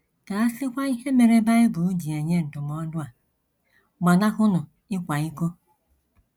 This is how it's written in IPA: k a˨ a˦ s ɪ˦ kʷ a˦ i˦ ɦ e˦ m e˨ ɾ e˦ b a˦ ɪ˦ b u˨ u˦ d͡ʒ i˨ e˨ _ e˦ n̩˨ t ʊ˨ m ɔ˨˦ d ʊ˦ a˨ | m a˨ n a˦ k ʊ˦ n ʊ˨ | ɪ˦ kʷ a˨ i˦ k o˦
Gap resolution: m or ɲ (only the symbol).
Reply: ɲ